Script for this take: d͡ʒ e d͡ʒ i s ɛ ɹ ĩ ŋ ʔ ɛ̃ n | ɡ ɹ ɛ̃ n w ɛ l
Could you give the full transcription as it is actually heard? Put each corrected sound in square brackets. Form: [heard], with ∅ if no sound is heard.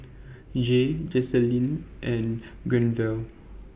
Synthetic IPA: d͡ʒ e d͡ʒ [ɛ] s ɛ [l] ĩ [n] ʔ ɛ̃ n | ɡ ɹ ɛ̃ n [v] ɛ l